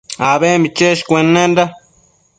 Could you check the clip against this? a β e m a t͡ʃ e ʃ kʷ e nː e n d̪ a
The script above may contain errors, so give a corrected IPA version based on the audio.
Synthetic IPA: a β e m i t͡ʃ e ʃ kʷ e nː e n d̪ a